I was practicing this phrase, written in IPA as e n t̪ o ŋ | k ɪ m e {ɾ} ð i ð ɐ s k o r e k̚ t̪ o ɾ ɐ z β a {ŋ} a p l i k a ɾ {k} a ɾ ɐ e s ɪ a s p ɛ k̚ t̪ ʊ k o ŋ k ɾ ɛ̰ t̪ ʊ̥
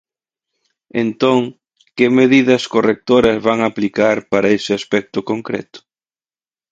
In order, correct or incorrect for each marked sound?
incorrect, correct, incorrect

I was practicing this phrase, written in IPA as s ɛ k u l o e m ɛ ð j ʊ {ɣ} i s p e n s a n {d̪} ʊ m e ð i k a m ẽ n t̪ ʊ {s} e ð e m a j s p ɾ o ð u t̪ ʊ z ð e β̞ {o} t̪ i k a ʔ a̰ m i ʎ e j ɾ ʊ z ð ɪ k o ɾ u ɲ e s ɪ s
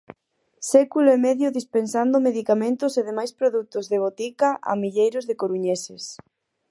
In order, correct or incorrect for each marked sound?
incorrect, correct, correct, correct

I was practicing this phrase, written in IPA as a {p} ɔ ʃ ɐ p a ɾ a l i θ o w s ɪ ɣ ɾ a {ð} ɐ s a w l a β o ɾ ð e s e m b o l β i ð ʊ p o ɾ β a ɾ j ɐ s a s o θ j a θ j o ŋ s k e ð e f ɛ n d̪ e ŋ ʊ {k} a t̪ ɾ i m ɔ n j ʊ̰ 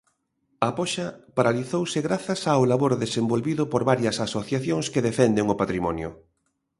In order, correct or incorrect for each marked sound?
correct, incorrect, incorrect

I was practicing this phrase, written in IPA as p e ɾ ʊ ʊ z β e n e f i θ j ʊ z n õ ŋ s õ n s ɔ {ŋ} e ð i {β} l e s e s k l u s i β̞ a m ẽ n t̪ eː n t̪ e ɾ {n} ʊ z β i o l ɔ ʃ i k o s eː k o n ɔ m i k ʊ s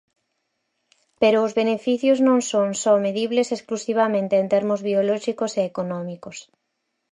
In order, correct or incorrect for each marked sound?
incorrect, correct, incorrect

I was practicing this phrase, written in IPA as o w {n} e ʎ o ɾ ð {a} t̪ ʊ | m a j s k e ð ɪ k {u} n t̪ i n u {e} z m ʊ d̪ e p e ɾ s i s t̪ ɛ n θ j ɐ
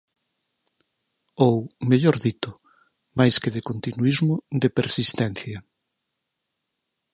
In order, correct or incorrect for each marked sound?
incorrect, incorrect, incorrect, incorrect

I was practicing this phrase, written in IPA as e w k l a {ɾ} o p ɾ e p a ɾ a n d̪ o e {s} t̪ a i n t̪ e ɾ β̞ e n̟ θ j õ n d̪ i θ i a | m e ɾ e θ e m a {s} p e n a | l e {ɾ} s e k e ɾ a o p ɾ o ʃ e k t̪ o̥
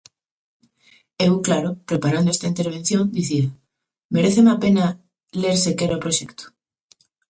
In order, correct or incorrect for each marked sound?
correct, correct, incorrect, correct

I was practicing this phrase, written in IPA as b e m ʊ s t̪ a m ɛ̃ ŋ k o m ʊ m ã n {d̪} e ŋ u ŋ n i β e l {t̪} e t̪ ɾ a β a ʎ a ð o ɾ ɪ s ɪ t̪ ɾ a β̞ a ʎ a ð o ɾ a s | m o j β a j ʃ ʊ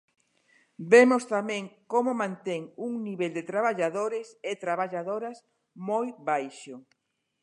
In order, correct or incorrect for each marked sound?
incorrect, incorrect

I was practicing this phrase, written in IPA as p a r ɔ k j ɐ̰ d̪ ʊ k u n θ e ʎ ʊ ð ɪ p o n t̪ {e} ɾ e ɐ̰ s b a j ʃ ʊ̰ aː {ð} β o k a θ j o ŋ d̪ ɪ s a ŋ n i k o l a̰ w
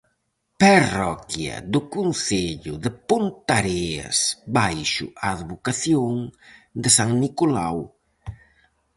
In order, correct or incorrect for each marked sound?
incorrect, correct

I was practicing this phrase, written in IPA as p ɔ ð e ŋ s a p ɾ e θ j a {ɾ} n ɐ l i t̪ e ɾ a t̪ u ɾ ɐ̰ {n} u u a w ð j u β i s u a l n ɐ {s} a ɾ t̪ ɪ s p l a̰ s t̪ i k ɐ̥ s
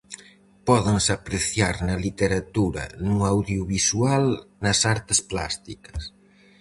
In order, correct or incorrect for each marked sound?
correct, correct, correct

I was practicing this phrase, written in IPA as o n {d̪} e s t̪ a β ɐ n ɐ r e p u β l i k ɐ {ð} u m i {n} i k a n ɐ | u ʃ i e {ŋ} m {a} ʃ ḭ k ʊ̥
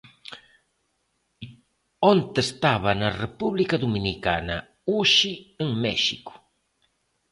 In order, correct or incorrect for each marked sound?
incorrect, correct, correct, correct, incorrect

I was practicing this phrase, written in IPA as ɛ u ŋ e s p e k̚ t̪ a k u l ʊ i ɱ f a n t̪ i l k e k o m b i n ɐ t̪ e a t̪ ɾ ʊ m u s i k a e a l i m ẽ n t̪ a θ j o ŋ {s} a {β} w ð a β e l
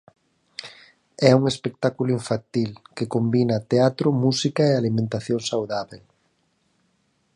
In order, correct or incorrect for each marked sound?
correct, incorrect

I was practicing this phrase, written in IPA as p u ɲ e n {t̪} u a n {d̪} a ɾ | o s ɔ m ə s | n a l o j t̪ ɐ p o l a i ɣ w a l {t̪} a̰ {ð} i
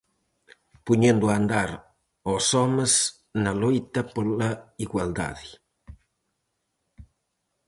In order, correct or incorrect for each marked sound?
incorrect, correct, incorrect, correct

